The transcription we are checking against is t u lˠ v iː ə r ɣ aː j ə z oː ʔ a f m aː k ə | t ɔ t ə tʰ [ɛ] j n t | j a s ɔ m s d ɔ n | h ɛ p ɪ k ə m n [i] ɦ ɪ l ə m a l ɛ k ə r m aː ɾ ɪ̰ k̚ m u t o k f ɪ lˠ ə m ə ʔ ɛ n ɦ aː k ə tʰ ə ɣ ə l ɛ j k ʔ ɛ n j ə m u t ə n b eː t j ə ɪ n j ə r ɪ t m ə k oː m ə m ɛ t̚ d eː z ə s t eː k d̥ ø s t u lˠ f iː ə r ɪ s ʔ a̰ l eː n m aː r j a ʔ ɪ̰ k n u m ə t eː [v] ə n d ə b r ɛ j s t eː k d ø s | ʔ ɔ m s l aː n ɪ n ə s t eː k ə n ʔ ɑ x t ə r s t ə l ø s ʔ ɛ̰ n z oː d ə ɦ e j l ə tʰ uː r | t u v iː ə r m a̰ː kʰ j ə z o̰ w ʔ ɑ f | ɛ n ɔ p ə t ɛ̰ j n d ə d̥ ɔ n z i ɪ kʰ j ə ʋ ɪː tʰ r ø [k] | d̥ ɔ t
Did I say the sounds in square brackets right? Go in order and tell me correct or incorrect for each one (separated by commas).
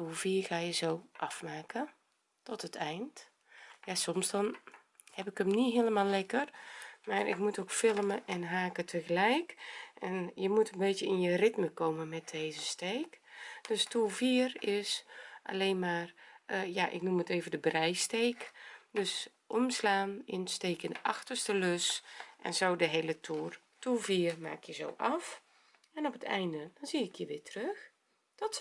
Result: correct, correct, correct, incorrect